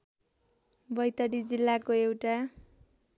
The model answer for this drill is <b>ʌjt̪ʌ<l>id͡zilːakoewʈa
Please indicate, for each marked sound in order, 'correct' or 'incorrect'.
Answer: correct, incorrect

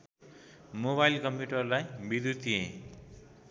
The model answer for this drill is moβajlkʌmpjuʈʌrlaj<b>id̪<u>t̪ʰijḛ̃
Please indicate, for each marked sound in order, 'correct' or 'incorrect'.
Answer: correct, correct

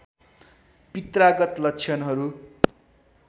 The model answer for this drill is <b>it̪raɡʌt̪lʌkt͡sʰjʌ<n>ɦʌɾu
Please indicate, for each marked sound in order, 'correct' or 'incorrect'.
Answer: incorrect, correct

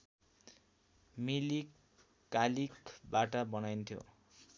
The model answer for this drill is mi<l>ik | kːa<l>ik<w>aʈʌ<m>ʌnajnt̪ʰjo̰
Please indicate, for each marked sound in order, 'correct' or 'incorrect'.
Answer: correct, correct, incorrect, incorrect

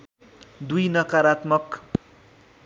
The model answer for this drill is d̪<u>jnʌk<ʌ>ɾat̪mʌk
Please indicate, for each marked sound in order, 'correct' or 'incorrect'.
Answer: correct, incorrect

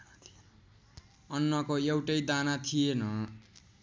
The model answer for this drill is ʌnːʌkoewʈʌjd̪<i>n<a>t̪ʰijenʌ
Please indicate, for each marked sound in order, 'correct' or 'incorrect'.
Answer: incorrect, correct

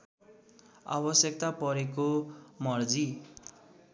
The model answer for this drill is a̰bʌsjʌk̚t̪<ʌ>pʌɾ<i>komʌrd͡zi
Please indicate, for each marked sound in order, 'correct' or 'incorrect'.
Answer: incorrect, incorrect

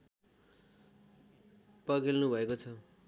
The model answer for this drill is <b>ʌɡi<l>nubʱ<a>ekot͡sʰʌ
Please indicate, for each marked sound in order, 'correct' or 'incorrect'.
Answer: incorrect, correct, incorrect

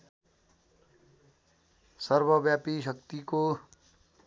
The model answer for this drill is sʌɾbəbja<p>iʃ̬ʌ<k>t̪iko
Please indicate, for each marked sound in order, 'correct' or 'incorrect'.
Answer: correct, correct

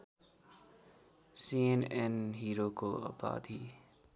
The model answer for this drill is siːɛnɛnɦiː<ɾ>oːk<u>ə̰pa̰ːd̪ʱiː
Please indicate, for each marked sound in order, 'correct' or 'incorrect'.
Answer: correct, incorrect

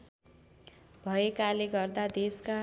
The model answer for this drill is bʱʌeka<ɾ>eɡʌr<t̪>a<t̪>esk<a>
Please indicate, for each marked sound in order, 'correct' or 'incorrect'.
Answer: incorrect, incorrect, incorrect, correct

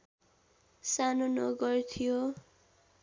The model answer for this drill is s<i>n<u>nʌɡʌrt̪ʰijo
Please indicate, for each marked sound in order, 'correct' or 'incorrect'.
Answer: incorrect, incorrect

